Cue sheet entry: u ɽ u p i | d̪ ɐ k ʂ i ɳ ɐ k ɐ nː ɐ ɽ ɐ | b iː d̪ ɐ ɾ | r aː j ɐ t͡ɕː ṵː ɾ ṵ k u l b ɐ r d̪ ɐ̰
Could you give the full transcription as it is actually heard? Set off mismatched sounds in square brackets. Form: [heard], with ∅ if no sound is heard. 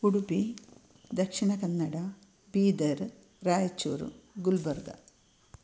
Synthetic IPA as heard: u ɽ u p i | d̪ ɐ k ʂ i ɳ ɐ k ɐ nː ɐ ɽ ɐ | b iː d̪ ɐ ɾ | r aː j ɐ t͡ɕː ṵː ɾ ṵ [ɡ] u l b ɐ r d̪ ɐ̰